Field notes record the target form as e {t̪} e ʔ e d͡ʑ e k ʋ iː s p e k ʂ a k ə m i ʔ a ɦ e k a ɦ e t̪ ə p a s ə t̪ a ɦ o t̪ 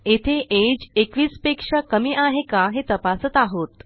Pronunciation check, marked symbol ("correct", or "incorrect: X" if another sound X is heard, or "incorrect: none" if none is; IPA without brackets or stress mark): incorrect: t̪ʰ